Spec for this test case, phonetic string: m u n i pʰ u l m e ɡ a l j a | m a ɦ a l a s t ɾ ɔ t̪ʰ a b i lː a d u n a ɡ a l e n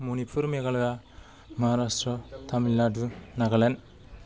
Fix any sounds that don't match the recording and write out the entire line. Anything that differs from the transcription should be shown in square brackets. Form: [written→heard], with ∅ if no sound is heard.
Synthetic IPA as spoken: m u n i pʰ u [l→ɾ] m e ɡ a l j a | m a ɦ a [l→ɾ] a s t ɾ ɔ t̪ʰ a [b→m] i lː a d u n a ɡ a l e n